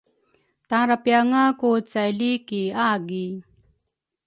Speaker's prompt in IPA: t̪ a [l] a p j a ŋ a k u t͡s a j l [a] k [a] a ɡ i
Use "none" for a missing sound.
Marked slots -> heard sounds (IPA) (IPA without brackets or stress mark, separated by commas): ɾ, i, i